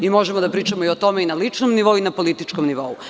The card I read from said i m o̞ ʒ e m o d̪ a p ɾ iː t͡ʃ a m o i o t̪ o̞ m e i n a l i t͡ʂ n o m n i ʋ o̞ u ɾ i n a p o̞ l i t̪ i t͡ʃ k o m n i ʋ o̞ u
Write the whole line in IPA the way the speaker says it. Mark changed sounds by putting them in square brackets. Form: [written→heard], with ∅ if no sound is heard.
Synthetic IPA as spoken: i m o̞ ʒ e m o d̪ a p ɾ iː t͡ʃ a m o i o t̪ o̞ m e i n a l i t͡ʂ n o m n i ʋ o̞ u [ɾ→∅] i n a p o̞ l i t̪ i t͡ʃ k o m n i ʋ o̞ u